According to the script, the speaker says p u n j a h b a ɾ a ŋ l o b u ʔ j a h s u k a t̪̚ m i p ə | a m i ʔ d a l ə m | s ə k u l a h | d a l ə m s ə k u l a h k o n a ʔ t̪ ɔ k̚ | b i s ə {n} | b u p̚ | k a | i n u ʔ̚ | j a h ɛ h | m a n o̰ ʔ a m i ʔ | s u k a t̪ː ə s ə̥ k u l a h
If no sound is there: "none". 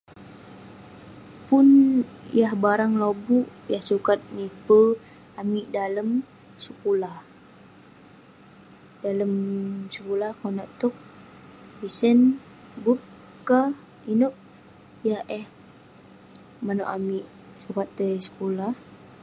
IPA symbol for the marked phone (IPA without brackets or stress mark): n